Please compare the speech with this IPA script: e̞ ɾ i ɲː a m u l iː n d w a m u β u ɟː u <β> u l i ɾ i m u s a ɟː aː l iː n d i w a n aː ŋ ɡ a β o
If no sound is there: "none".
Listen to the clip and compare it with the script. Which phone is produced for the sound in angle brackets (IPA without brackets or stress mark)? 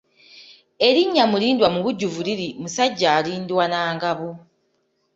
v